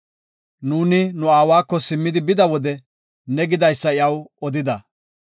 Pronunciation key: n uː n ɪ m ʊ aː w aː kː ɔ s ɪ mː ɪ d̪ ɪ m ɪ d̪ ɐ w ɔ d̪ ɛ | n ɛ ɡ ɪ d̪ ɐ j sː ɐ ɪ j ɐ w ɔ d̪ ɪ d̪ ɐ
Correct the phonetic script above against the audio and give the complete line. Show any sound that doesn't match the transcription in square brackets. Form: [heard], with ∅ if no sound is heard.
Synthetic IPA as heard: n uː n ɪ [n] ʊ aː w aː kː ɔ s ɪ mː ɪ d̪ ɪ [b] ɪ d̪ ɐ w ɔ d̪ ɛ | n ɛ ɡ ɪ d̪ ɐ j sː ɐ ɪ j ɐ w ɔ d̪ ɪ d̪ ɐ